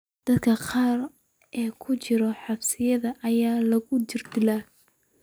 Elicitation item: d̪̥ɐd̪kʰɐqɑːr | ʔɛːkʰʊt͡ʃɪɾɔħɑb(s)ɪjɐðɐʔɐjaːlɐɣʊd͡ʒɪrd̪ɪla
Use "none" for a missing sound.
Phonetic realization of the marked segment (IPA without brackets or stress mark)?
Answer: s